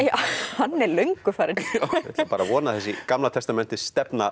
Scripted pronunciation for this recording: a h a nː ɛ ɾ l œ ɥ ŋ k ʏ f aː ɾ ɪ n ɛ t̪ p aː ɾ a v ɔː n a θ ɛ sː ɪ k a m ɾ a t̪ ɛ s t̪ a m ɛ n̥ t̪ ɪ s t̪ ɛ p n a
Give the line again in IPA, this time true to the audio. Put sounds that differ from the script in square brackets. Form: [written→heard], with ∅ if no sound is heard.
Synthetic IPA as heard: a h a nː ɛ ɾ l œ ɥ ŋ k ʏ f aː ɾ ɪ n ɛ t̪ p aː ɾ a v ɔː n a θ ɛ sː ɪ k a m [ɾ→l] a [t̪→t̪ʰ] ɛ s t̪ a m ɛ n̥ t̪ ɪ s t̪ ɛ p n a

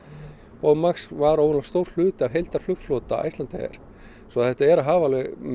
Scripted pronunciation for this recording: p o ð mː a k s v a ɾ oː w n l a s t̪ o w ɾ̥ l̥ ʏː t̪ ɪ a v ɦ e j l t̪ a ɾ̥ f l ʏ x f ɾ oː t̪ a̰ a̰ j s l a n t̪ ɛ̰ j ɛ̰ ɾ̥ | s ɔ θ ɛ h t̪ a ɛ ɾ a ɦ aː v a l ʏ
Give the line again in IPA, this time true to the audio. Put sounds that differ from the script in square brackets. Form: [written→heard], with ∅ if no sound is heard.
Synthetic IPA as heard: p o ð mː a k s v a ɾ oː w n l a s t̪ o w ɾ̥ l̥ ʏː t̪ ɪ a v ɦ e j l t̪ a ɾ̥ f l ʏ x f [ɾ→l] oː t̪ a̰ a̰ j s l a n t̪ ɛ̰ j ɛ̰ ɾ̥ | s ɔ θ ɛ h t̪ a ɛ ɾ a ɦ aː v a l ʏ

